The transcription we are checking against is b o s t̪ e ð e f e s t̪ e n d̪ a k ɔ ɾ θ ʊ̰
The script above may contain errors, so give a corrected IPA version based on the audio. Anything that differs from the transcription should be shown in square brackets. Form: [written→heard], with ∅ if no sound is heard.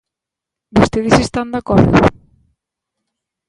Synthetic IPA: b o s t̪ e ð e [f→s] e s t̪ [e→a] n d̪ a k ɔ ɾ [θ→ð] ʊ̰